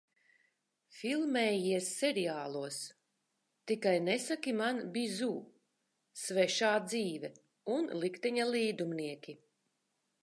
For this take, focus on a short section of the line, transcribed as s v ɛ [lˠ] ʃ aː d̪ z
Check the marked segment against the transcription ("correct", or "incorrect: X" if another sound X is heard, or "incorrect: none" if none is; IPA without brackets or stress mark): incorrect: none